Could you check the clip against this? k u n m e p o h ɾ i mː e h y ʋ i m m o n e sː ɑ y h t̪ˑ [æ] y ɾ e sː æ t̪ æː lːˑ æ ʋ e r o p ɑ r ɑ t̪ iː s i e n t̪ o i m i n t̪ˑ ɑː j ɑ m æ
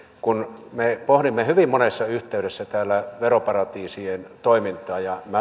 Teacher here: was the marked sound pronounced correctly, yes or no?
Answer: no